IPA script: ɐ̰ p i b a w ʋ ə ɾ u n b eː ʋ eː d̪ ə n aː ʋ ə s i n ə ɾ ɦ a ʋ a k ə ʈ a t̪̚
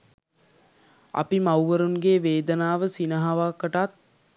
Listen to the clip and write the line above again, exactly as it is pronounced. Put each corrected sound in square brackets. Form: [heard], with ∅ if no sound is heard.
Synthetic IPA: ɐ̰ p i [m] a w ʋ ə ɾ u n [ɡ] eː ʋ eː d̪ ə n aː ʋ ə s i n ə [∅] ɦ a ʋ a k ə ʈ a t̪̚